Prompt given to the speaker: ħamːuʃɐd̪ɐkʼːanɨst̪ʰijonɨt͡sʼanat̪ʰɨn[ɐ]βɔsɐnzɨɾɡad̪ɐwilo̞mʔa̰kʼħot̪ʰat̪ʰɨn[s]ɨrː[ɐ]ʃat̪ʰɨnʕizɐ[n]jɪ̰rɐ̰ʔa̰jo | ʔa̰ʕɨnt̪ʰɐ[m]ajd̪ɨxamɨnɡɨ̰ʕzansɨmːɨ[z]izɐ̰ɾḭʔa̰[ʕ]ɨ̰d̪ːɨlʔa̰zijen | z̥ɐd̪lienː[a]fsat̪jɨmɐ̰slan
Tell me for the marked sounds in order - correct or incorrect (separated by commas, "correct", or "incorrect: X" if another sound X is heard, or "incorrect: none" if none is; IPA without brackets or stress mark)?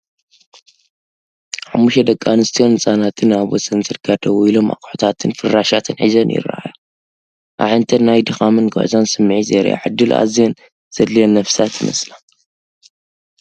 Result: incorrect: a, incorrect: f, incorrect: a, correct, incorrect: n, incorrect: ʕ, correct, incorrect: ɐ